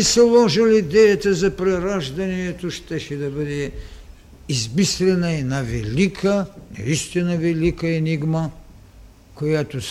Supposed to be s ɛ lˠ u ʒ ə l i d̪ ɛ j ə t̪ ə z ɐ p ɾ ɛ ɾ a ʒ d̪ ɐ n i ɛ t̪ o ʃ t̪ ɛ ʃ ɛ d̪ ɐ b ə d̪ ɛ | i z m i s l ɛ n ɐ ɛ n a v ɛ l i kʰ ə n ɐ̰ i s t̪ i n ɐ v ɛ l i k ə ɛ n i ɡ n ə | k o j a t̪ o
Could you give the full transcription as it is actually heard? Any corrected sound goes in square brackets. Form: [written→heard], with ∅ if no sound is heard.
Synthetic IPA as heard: s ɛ lˠ [u→ɔ] ʒ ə l i d̪ ɛ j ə t̪ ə z ɐ p ɾ ɛ ɾ a ʒ d̪ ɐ n i ɛ t̪ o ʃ t̪ ɛ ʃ ɛ d̪ ɐ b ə d̪ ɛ | i z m i s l ɛ n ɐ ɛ n a v ɛ l i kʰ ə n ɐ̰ i s t̪ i n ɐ v ɛ l i k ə ɛ n i ɡ [n→m] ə | k o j a t̪ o